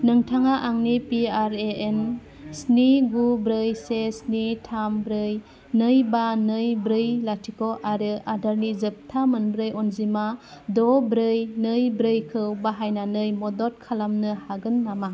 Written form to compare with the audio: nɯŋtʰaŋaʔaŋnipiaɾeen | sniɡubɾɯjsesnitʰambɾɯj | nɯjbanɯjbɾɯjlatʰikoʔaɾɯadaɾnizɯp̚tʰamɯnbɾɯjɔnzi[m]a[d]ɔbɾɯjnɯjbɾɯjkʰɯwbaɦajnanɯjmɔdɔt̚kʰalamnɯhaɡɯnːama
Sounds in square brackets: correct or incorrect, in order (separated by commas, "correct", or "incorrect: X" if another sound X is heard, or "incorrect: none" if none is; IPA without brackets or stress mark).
correct, correct